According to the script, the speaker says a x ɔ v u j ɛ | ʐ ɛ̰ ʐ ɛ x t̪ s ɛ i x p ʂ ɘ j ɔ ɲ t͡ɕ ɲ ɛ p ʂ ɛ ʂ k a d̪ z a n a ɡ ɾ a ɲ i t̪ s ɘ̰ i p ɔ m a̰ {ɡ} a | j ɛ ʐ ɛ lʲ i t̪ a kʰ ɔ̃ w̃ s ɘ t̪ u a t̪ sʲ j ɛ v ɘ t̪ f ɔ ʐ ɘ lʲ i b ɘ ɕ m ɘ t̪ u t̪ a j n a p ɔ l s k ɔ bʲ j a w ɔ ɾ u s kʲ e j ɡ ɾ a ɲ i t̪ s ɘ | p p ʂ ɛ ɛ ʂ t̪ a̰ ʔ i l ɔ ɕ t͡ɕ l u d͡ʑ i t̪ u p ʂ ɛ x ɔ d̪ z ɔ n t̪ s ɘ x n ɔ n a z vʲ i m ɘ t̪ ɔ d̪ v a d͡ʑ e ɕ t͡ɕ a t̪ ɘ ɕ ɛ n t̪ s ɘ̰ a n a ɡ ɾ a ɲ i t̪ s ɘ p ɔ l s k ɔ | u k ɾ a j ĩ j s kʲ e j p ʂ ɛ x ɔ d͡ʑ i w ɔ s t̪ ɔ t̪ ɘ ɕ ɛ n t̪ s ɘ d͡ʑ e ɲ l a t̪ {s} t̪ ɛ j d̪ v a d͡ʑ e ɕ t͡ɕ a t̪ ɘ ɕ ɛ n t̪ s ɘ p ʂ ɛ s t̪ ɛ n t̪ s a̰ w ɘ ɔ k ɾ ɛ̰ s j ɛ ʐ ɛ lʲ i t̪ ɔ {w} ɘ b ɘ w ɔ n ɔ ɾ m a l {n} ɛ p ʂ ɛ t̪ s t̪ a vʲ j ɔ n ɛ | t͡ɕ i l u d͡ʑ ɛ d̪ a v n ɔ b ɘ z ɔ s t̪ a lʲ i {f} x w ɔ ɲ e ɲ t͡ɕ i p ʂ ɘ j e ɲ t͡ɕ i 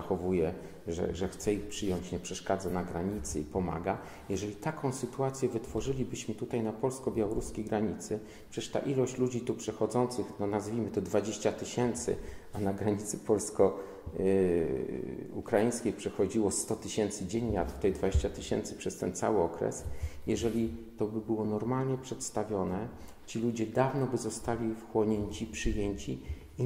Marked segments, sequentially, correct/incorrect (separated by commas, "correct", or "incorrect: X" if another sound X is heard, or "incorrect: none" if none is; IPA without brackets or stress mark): correct, incorrect: f, incorrect: b, incorrect: ɲ, correct